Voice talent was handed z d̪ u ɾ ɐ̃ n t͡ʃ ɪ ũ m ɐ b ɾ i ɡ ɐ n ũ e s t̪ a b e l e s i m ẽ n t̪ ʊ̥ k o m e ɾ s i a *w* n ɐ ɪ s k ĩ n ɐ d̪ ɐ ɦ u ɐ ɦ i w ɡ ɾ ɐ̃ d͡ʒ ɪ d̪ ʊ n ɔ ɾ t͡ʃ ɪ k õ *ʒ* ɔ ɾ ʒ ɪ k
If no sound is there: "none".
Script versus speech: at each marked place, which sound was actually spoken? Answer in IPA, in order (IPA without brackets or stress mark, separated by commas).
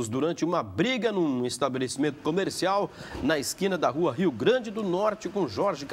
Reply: w, ʒ